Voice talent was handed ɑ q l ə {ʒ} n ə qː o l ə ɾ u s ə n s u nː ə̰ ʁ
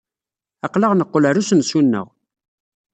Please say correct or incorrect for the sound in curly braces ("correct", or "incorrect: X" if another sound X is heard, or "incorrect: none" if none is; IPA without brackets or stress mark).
incorrect: ʁ